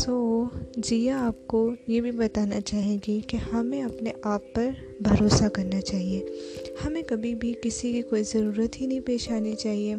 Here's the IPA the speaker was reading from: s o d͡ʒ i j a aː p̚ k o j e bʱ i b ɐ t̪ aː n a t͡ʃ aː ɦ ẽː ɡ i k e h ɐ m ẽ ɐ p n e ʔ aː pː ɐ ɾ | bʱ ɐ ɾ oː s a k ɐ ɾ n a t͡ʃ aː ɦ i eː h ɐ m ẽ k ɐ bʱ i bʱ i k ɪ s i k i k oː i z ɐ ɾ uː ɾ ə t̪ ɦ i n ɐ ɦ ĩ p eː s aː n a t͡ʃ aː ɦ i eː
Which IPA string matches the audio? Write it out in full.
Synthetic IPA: s o d͡ʒ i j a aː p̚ k o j e bʱ i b ɐ t̪ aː n a t͡ʃ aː ɦ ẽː ɡ i k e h ɐ m ẽ ɐ p n e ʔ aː pː ɐ ɾ | bʱ ɐ ɾ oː s a k ɐ ɾ n a t͡ʃ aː ɦ i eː h ɐ m ẽ k ɐ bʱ i bʱ i k ɪ s i k i k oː i z ɐ ɾ uː ɾ ə t̪ ɦ i n ɐ ɦ ĩ p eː ʃ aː n i t͡ʃ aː ɦ i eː